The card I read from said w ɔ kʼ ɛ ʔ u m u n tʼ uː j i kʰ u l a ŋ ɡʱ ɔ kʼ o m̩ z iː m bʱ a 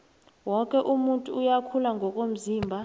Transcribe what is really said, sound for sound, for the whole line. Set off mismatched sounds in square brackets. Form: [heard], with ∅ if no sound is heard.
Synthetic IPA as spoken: w ɔ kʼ ɛ ʔ u m u n tʼ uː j [a] kʰ u l a ŋ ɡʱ ɔ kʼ o m̩ z iː m bʱ a